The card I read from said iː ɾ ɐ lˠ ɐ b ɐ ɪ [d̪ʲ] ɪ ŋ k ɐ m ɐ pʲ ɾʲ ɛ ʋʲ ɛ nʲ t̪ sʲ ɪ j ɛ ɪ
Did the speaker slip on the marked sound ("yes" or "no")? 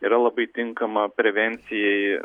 yes